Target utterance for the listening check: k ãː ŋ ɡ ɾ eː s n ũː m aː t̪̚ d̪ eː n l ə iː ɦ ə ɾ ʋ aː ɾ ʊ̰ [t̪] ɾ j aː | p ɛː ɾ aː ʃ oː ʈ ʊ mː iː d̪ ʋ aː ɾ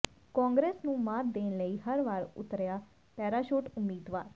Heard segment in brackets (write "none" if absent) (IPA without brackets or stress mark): t̪